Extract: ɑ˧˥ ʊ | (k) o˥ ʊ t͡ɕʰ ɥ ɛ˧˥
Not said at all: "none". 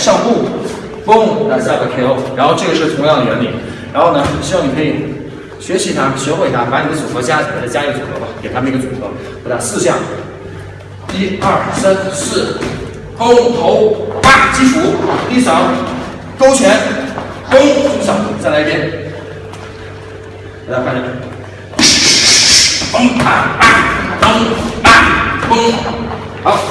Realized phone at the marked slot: k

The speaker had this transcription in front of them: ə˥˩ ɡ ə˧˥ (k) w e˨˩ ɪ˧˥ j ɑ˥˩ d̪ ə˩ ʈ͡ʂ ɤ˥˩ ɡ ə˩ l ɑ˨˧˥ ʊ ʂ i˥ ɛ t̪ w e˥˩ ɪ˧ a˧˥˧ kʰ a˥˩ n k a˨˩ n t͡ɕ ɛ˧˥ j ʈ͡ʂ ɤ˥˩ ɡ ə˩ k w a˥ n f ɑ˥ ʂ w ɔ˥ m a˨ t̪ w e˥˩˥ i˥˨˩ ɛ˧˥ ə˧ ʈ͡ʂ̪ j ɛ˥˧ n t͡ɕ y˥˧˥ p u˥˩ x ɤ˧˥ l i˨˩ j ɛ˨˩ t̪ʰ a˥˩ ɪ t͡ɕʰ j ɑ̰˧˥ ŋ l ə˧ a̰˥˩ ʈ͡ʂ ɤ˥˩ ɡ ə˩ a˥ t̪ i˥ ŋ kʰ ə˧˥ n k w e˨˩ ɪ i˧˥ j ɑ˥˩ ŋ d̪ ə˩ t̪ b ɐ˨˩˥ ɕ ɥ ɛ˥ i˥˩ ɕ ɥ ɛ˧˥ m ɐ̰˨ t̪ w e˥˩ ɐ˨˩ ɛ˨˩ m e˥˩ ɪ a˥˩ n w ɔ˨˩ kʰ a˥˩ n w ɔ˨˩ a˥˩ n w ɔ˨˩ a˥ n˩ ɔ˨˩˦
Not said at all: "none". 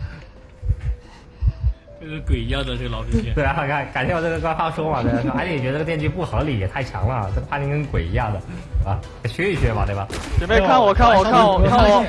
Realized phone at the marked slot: k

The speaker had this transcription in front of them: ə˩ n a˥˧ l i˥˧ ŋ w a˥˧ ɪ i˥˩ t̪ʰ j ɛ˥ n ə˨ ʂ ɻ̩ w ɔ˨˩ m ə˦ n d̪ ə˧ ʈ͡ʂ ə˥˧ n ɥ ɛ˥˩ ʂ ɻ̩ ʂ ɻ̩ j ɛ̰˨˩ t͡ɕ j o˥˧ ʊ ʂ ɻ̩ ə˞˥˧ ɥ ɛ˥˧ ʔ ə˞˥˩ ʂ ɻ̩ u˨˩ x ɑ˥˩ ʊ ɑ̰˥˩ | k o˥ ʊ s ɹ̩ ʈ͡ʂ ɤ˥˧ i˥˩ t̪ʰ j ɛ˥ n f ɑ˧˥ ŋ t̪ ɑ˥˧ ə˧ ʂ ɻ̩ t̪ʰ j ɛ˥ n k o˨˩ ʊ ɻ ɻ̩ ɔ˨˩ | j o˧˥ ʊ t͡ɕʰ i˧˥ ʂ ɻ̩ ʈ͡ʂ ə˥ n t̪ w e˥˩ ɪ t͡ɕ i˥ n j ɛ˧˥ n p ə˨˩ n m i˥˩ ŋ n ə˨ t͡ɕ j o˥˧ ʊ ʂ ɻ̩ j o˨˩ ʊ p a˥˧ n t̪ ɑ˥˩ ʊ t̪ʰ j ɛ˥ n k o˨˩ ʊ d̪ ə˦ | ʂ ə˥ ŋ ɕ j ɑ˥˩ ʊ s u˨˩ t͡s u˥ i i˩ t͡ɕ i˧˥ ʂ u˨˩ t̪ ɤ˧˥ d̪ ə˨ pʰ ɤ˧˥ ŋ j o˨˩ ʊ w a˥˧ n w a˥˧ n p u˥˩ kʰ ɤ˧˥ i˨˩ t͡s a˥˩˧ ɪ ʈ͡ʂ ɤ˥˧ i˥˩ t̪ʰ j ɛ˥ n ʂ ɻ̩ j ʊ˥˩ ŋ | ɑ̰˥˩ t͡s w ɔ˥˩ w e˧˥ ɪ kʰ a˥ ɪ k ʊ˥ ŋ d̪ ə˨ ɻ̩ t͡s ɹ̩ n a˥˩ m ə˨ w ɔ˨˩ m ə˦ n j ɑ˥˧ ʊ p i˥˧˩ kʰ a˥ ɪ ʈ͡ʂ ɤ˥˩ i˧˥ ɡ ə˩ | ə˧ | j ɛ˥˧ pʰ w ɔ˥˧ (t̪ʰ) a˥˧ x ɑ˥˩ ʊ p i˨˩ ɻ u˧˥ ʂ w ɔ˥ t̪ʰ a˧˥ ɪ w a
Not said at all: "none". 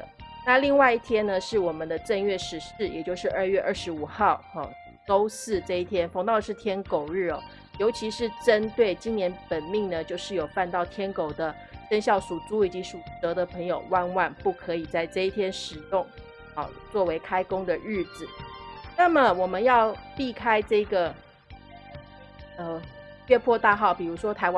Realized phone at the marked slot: t̪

